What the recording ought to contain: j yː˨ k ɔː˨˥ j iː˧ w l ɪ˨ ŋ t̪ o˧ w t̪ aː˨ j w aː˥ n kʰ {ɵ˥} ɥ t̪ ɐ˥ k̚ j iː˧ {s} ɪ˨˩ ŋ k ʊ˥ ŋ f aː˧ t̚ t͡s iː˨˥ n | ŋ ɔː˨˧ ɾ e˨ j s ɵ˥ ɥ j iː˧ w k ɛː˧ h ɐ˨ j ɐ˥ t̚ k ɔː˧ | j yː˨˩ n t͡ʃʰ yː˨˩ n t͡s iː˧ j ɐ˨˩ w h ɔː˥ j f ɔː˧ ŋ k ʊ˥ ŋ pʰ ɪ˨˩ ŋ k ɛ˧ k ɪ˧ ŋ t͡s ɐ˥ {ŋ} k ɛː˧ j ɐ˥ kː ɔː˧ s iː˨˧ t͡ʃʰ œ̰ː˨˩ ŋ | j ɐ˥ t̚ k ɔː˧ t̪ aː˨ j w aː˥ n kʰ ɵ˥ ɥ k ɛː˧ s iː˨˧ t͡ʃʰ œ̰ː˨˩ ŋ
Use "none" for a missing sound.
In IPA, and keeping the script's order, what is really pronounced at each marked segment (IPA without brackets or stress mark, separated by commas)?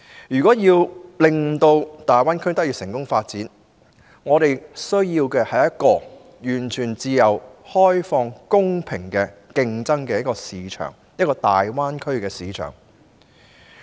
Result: ɵ˥, s, ŋ